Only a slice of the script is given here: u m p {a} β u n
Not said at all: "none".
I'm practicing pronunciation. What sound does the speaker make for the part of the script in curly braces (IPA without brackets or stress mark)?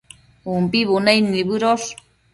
i